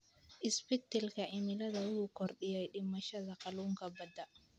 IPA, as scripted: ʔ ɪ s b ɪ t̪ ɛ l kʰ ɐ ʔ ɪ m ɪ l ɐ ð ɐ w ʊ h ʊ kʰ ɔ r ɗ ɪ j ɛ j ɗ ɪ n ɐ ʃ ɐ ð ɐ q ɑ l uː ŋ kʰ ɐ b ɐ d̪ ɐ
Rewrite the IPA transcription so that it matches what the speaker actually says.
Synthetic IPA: ʔ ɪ s b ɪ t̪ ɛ l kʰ ɐ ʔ ɪ m ɪ l ɐ ð ɐ w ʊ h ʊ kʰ ɔ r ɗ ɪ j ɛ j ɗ ɪ m ɐ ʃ ɐ ð ɐ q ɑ l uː ŋ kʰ ɐ b ɐ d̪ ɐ